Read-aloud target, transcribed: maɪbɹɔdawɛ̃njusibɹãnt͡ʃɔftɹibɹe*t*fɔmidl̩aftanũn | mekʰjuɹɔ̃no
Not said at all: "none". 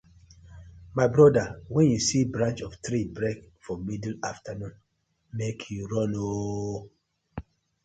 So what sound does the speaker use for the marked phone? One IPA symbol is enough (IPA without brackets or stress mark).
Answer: k